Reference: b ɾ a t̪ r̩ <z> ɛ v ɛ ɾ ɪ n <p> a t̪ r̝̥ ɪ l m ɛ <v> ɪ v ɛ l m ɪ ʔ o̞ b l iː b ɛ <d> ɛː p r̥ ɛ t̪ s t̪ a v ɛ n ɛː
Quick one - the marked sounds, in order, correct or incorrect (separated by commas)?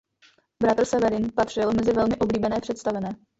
incorrect, correct, incorrect, incorrect